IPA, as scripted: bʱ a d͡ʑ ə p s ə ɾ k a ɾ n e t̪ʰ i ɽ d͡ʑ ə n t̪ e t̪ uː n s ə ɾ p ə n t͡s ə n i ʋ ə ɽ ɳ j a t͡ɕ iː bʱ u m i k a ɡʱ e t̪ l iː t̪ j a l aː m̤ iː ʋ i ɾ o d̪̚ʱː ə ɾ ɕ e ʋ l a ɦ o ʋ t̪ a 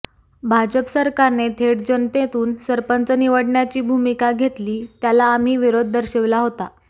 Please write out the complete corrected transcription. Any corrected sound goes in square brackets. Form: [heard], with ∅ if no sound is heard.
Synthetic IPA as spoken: bʱ a d͡ʑ ə p s ə ɾ k a ɾ n e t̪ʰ [e] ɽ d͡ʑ ə n t̪ e t̪ uː n s ə ɾ p ə n t͡s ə n i ʋ ə ɽ ɳ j a t͡ɕ iː bʱ u m i k a ɡʱ e t̪ l iː t̪ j a l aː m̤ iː ʋ i ɾ o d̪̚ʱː ə ɾ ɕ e ʋ l a ɦ o [∅] t̪ a